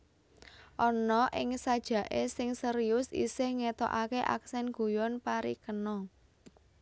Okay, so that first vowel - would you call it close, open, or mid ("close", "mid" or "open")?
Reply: mid